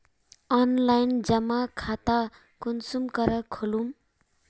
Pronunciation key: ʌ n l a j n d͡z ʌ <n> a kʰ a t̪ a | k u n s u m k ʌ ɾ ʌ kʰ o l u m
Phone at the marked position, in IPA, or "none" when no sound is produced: m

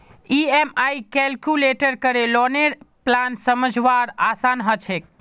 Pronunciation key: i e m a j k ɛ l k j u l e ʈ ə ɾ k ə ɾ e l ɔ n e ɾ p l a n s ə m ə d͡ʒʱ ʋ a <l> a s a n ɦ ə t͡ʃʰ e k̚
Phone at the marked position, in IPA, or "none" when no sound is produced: ɾ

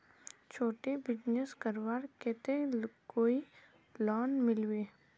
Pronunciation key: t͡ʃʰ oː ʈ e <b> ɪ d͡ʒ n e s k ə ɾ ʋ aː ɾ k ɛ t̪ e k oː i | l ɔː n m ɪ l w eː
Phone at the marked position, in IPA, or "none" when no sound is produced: b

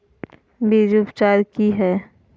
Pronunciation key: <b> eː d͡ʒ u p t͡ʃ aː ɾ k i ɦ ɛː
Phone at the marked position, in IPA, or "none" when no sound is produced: b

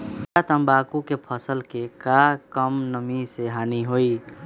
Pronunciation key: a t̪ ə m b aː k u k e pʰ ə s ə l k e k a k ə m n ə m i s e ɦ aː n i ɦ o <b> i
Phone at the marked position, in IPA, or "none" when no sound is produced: none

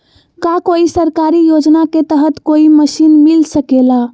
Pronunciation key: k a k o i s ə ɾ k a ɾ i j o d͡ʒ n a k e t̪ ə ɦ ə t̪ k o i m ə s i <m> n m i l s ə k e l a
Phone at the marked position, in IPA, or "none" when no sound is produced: none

